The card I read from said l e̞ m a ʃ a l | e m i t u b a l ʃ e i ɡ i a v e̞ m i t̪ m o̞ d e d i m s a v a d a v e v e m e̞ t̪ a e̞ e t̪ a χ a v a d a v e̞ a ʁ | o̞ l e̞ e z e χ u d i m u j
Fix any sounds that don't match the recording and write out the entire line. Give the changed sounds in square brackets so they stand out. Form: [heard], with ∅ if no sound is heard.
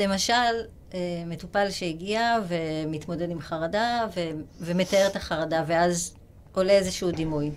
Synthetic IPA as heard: l e̞ m a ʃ a l | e m [e] t u [p] a l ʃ e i ɡ i a v e̞ m i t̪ m o̞ d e d i m [χ] a [ʁ] a d a v e v e m e̞ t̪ a e̞ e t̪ a χ a [ʁ] a d a v e̞ a [z] | o̞ l e̞ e z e [ʃ] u d i m u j